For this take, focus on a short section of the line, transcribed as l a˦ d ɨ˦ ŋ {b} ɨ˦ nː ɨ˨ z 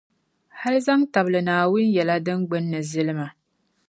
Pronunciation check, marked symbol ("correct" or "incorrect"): incorrect